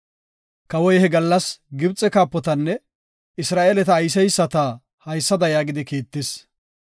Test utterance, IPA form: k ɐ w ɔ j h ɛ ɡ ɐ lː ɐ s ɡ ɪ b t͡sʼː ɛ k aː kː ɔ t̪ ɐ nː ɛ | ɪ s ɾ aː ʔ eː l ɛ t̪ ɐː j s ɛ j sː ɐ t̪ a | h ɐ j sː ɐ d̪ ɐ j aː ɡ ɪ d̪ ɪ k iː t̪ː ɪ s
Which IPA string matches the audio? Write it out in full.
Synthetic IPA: k ɐ w ɔ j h ɛ ɡ ɐ lː ɐ s ɡ ɪ b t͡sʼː ɛ k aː pː ɔ t̪ ɐ nː ɛ | ɪ s ɾ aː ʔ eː l ɛ t̪ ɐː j s ɛ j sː ɐ t̪ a | h ɐ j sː ɐ d̪ ɐ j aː ɡ ɪ d̪ ɪ k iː t̪ː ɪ s